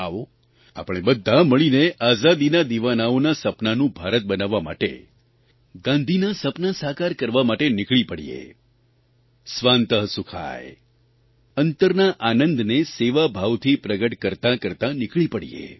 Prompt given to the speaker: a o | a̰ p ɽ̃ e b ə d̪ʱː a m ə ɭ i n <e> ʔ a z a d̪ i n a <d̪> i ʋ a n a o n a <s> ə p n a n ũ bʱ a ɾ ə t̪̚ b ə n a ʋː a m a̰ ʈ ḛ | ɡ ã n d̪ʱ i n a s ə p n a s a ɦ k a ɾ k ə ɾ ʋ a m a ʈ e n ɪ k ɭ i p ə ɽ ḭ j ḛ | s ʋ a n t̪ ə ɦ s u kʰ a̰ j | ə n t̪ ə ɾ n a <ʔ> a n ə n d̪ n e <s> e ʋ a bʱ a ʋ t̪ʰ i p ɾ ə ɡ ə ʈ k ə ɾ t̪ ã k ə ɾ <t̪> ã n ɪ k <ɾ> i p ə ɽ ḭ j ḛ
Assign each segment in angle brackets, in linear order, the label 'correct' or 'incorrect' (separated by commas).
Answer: correct, correct, correct, correct, correct, correct, incorrect